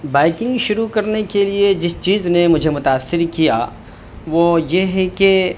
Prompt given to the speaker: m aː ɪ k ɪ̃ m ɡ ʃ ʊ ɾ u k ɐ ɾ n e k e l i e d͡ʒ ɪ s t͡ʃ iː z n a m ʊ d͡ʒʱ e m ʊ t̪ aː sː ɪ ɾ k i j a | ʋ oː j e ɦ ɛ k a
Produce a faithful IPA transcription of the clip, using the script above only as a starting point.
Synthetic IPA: b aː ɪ k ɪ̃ ŋ ɡ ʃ ʊ ɾ u k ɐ ɾ n e k e l i e d͡ʒ ɪ s t͡ʃ iː z n e m ʊ d͡ʒʱ e m ʊ t̪ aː sː ɪ ɾ k i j a | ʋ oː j e ɦ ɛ k e